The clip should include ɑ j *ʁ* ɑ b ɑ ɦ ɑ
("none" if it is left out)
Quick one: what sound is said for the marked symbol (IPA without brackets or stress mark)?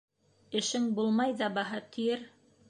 ð